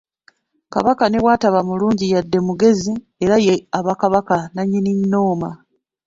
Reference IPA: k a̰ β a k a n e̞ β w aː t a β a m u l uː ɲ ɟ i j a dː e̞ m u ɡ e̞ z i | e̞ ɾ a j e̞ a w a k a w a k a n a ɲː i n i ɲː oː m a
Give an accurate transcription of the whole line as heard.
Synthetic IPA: k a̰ β a k a n e̞ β w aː t a β a m u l uː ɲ ɟ i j a dː e̞ m u ɡ e̞ z i | e̞ ɾ a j e̞ a β a k a β a k a n a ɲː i n i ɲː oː m a